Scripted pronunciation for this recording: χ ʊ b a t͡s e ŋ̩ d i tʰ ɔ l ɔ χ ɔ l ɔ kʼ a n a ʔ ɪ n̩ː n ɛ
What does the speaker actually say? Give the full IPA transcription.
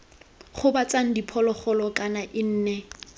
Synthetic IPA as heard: χ ʊ b a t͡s a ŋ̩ d i pʰ ɔ l ɔ χ ɔ l ɔ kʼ a n a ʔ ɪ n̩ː n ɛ